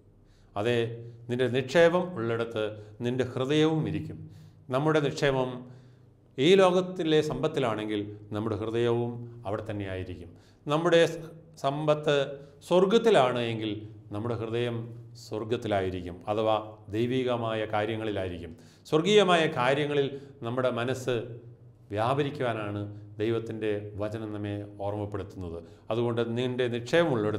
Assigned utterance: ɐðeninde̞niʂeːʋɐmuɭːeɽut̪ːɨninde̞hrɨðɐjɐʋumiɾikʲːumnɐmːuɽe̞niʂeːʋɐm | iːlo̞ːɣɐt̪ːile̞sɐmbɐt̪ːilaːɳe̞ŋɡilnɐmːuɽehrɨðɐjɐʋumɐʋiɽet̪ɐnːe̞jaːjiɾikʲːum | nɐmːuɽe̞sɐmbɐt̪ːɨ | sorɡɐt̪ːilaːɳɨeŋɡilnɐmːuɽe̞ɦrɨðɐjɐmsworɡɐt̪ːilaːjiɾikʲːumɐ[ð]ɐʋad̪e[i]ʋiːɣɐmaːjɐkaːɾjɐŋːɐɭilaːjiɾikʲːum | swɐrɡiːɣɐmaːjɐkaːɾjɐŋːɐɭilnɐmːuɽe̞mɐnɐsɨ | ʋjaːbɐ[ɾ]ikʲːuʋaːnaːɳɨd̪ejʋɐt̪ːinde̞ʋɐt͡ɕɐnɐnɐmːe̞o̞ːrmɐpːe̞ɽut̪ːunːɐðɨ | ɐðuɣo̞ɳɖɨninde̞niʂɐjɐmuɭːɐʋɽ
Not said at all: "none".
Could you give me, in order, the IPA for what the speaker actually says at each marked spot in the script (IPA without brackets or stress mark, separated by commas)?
ð, j, ɾ